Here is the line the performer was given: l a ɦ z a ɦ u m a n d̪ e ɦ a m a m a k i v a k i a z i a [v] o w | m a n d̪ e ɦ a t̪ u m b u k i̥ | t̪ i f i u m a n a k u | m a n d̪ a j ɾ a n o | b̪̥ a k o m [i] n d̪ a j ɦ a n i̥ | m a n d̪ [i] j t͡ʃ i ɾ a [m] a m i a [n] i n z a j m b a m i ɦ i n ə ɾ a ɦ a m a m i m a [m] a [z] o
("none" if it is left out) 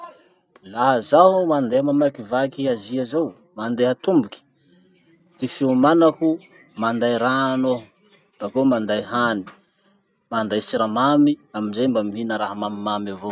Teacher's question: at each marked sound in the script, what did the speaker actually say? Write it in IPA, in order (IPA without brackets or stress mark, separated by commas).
z, a, a, m, m, m, v